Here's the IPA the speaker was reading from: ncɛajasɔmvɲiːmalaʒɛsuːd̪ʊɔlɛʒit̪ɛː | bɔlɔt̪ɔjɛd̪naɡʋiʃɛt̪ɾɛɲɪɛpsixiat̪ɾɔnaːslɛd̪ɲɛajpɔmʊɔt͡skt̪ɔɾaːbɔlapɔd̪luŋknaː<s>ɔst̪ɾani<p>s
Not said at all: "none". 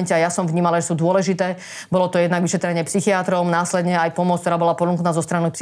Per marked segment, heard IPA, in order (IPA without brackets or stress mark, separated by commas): z, p